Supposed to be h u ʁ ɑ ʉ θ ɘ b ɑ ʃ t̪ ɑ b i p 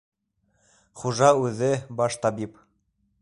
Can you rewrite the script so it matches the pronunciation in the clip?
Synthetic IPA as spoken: χ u ʒ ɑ ʉ ð ɘ b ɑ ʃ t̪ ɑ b i p